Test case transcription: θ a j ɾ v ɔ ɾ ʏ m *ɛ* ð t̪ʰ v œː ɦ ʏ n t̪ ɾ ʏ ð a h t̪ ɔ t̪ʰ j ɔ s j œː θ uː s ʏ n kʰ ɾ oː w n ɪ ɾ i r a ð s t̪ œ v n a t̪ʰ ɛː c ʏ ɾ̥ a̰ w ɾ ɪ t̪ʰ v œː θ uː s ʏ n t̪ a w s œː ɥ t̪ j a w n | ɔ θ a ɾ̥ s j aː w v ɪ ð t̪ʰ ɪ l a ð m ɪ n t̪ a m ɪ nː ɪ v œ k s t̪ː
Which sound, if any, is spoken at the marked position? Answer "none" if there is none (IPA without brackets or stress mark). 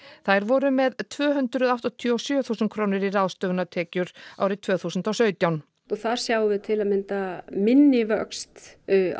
ɛ